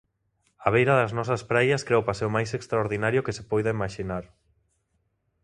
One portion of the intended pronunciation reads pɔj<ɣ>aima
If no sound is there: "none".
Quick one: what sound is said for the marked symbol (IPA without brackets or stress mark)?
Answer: ð